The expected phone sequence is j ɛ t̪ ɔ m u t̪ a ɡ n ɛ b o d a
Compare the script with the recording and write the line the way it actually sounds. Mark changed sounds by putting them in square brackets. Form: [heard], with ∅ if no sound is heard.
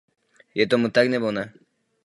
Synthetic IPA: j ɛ t̪ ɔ m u t̪ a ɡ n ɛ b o [n] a